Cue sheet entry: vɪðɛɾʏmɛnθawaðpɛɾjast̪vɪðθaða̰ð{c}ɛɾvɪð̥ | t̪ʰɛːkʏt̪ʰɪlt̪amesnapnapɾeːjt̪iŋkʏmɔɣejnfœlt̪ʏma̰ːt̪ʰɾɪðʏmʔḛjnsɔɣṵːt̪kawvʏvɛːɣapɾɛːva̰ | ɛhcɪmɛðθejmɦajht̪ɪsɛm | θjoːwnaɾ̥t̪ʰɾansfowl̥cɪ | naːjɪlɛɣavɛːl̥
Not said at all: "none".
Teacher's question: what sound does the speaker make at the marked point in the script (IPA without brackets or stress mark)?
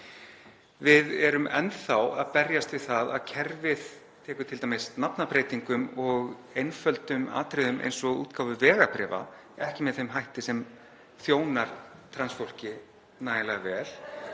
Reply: cʰ